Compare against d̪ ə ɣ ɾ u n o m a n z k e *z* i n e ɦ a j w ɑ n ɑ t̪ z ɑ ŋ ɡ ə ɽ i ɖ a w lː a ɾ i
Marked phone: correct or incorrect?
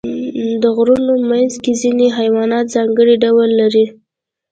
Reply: correct